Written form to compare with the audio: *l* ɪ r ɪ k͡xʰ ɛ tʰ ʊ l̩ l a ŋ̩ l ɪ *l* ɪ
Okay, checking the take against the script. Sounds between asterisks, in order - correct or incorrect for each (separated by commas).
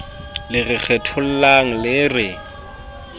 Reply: correct, incorrect